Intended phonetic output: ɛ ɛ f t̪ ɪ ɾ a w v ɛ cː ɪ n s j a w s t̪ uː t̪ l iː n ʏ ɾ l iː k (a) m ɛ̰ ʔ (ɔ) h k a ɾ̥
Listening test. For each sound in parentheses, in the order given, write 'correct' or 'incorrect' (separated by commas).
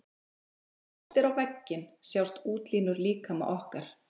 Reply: correct, correct